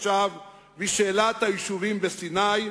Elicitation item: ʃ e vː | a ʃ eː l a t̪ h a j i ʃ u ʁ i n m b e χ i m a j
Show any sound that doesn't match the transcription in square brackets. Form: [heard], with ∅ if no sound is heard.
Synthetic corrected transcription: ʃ [a] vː | [i] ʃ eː l a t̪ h a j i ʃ u [v] i [∅] m b e [s] i [n] a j